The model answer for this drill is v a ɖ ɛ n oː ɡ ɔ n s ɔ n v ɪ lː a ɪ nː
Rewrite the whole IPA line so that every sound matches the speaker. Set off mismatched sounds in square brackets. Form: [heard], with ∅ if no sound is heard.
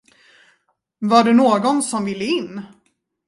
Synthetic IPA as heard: v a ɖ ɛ n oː ɡ ɔ n s ɔ [m] v ɪ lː [ə] ɪ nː